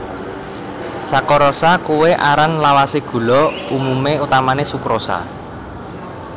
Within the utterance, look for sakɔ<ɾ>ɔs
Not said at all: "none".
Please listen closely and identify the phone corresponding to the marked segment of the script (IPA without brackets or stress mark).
ɾ